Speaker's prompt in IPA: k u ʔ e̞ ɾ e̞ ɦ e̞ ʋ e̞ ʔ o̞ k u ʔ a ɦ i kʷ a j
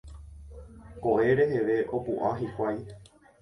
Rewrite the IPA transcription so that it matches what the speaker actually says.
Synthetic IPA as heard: k o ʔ e̞ ɾ e̞ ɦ e̞ ʋ e̞ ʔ o̞ p u ʔ a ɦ i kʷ a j